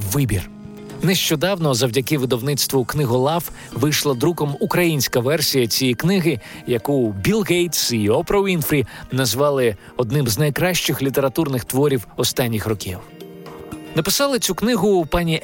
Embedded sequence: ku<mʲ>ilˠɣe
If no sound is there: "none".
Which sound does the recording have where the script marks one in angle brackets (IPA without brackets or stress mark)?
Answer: bʲ